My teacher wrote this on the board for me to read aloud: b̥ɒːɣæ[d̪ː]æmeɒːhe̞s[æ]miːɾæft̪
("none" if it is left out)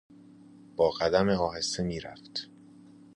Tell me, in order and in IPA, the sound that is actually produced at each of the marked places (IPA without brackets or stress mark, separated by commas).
d̪, e